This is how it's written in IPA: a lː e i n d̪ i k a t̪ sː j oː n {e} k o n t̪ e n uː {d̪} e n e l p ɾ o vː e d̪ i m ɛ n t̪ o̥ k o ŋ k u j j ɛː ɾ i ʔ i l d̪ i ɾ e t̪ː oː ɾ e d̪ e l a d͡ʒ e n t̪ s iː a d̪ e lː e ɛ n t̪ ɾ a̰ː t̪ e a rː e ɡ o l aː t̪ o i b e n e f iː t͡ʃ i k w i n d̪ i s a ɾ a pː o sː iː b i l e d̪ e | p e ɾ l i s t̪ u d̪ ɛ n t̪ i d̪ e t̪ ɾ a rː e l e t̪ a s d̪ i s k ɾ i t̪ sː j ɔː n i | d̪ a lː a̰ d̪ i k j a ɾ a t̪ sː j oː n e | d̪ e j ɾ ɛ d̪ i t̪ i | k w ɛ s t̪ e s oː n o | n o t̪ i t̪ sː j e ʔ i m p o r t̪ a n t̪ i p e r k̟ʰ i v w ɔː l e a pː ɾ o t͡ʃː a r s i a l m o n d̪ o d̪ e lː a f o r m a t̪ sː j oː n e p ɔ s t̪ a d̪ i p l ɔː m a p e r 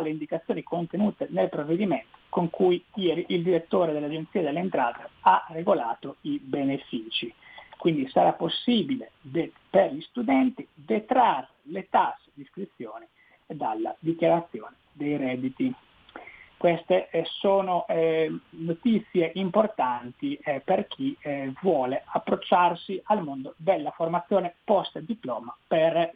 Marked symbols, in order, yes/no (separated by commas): no, no